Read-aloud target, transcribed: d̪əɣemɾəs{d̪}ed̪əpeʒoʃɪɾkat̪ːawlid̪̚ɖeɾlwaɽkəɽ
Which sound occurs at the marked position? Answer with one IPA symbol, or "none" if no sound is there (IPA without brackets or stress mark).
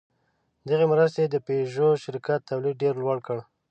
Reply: t̪